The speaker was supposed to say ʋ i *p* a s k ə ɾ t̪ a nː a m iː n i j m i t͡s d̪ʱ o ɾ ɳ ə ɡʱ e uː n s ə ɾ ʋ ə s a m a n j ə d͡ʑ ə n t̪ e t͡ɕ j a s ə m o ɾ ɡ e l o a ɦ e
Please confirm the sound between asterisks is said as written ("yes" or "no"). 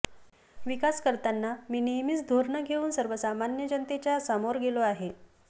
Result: no